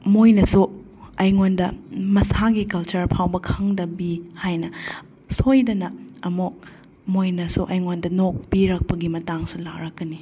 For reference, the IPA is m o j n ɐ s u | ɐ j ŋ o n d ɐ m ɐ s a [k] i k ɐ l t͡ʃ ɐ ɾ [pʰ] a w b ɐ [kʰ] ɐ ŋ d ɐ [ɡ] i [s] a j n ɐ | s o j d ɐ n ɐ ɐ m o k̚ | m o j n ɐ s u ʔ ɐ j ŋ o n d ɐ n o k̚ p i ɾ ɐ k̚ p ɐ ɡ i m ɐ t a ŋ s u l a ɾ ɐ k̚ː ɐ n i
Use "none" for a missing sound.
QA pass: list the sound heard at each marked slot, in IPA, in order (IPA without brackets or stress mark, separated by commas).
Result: ɡ, pʰ, kʰ, b, h